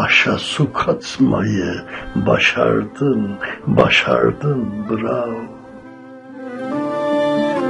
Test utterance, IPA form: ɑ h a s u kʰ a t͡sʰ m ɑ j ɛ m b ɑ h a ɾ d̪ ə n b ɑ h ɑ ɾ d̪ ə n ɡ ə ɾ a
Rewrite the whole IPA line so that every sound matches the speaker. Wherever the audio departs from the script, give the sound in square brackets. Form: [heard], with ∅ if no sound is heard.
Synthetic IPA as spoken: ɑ [ʃ] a s u kʰ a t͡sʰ m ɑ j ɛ [∅] b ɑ [ʃ] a ɾ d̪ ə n b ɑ [ʃ] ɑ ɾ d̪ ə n [b] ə ɾ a

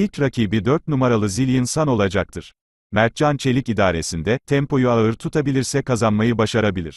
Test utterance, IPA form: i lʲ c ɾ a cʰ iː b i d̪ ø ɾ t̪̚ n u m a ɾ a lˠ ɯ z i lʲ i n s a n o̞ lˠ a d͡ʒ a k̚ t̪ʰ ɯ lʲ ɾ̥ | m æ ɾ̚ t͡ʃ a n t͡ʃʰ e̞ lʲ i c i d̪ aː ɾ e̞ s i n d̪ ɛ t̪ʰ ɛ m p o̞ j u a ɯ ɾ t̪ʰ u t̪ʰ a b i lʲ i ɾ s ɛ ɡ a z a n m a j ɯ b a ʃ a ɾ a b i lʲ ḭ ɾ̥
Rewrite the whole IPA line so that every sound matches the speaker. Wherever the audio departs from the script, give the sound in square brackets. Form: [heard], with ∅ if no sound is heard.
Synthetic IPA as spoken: i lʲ c ɾ a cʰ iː b i d̪ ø ɾ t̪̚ n u m a ɾ a lˠ ɯ z i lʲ i n s a n o̞ lˠ a d͡ʒ a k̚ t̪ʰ ɯ [∅] ɾ̥ | m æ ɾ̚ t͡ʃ a n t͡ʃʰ e̞ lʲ i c i d̪ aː ɾ e̞ s i n d̪ ɛ t̪ʰ ɛ m p o̞ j u a ɯ ɾ t̪ʰ u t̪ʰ a b i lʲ i ɾ s ɛ [k] a z a n m a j ɯ b a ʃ a ɾ a b i lʲ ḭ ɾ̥

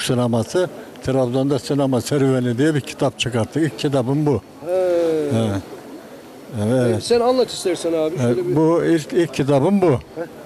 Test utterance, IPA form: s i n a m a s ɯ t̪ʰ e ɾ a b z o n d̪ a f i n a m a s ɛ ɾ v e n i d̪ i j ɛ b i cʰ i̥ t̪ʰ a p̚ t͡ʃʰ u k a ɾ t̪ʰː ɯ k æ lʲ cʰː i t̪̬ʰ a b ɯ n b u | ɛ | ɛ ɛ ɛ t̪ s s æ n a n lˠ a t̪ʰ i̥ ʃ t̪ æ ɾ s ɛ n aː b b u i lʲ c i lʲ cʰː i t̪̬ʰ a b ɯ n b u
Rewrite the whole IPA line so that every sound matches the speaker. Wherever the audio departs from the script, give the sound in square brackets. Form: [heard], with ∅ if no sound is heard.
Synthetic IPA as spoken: s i n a m a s ɯ t̪ʰ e ɾ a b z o n d̪ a [s] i n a m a s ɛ ɾ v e n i d̪ i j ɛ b i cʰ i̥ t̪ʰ a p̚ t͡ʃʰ [ɯ] k a ɾ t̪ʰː ɯ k [i] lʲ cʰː i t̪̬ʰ a b ɯ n b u | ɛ | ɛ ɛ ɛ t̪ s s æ n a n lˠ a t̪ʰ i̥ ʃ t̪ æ ɾ s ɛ n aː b b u i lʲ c i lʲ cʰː i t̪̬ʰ a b ɯ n b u

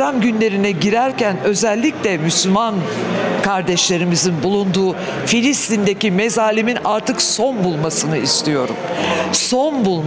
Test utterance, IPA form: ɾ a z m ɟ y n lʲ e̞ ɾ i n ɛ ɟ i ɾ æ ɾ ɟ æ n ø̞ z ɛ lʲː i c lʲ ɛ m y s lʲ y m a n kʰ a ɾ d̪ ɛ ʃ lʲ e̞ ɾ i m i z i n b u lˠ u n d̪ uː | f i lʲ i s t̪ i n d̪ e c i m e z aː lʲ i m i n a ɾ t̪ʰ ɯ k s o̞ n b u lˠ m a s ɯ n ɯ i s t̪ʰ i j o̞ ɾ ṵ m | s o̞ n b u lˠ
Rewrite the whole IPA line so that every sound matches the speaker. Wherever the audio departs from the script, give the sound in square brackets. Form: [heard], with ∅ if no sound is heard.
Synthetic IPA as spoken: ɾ a [∅] m ɟ y n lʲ e̞ ɾ i n ɛ ɟ i ɾ æ ɾ [c] æ n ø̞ z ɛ lʲː i c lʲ ɛ m y s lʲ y m a n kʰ a ɾ d̪ ɛ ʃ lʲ e̞ ɾ i m i z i n b u lˠ u n d̪ uː | f i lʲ i s t̪ i n d̪ e c i m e z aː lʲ i m i n a ɾ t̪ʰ ɯ k s o̞ n b u lˠ m a s ɯ n ɯ i s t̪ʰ i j o̞ ɾ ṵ m | s o̞ n b u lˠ

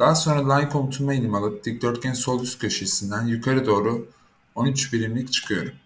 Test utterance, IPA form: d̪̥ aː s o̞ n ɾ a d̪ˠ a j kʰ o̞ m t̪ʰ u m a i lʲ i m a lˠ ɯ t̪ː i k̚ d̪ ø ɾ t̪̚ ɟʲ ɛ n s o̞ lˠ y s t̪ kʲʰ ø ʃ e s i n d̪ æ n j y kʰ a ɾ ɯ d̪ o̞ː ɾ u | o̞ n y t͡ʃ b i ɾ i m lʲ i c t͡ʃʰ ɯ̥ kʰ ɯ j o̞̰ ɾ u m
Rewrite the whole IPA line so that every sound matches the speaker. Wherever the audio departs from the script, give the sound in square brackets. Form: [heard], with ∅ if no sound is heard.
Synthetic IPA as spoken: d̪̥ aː s o̞ n ɾ a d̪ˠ a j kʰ o̞ m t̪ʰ u m a i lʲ i m a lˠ ɯ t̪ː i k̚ d̪ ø ɾ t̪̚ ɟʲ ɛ n s o̞ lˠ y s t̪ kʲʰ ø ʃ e s i n d̪ æ n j y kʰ a ɾ ɯ d̪ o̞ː ɾ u | o̞ n y t͡ʃ b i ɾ i m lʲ i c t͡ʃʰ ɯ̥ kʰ ɯ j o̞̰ ɾ u m

